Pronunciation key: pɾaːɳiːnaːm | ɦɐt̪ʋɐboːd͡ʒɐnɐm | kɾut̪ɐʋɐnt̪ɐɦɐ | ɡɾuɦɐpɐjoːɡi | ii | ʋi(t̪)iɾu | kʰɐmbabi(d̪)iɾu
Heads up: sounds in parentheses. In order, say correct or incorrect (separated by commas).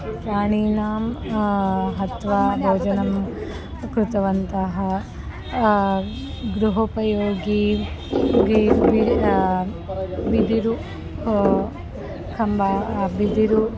incorrect, correct